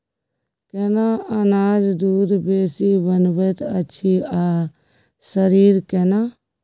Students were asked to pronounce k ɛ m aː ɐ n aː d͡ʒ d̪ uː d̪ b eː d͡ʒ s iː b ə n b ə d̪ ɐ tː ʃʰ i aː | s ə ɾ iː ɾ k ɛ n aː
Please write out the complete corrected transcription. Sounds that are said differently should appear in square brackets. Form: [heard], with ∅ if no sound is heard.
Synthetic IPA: k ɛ [n] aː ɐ n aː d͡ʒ d̪ uː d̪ b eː [∅] s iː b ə n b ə [t̪] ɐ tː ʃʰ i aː | s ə ɾ iː ɾ k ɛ n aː